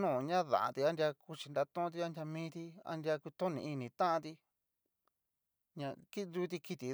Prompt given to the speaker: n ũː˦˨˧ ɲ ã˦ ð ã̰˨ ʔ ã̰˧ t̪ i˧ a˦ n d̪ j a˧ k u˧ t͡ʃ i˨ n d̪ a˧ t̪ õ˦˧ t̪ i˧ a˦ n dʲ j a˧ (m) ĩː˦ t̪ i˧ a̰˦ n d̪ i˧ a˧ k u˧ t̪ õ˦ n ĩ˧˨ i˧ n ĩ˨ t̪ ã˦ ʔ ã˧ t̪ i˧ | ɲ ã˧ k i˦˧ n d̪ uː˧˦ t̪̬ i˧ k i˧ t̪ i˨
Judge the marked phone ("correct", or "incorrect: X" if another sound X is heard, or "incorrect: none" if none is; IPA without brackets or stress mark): correct